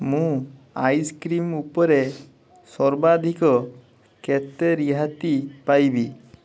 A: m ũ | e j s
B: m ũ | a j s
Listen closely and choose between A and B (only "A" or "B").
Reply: B